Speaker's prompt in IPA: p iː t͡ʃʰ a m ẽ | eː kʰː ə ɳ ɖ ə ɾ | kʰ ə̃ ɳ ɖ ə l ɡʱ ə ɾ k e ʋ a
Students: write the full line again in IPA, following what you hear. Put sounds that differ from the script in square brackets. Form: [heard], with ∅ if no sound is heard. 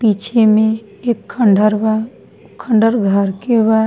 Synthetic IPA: p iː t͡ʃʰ [e] m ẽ | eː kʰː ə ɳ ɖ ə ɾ | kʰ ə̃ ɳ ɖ ə [ɾ] ɡʱ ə ɾ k e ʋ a